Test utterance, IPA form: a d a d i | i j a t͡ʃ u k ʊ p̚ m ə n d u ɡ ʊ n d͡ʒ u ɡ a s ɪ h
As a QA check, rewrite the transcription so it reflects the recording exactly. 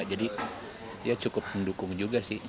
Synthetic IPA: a d͡ʒ a d i | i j a t͡ʃ u k ʊ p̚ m ə n d u k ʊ ŋ d͡ʒ u ɡ a s ɪ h